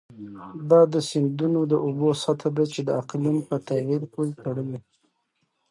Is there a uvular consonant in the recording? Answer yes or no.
yes